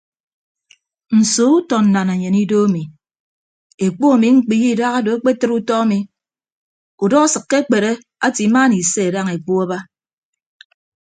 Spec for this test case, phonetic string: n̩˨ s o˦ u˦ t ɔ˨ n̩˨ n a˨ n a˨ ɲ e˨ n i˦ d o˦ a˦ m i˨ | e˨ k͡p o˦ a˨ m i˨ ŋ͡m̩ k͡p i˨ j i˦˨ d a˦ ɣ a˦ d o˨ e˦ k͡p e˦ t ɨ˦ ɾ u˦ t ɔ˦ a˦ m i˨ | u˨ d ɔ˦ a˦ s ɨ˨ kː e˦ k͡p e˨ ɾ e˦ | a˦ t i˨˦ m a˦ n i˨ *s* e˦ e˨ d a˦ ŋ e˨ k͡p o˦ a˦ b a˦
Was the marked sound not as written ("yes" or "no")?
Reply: no